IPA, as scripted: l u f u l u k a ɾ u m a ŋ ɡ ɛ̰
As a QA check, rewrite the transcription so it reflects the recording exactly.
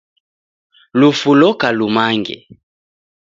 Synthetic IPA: l u f u l ɔ k a l u m a ŋ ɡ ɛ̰